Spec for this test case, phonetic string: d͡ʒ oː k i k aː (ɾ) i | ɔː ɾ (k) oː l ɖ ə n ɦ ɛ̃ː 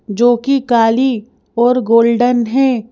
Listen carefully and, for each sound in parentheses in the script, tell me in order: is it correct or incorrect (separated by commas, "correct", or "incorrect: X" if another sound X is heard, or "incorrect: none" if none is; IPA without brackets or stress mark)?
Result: incorrect: l, incorrect: ɡ